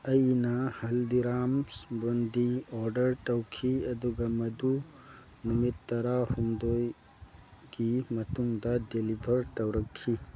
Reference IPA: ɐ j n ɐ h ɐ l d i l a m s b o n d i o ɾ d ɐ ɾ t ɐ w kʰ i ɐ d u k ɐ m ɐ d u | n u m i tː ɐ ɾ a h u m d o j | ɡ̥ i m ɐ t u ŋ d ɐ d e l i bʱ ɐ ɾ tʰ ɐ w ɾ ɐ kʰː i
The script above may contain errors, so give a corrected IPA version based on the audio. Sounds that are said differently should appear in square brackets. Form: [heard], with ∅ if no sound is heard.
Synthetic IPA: ɐ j n ɐ h ɐ l d i [ɾ] a m s b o n d i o ɾ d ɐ ɾ t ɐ w kʰ i ɐ d u [ɡ] ɐ m ɐ d u | n u m i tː ɐ ɾ a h u m d o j | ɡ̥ i m ɐ t u ŋ d ɐ d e l i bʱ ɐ ɾ [t] ɐ w ɾ ɐ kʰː i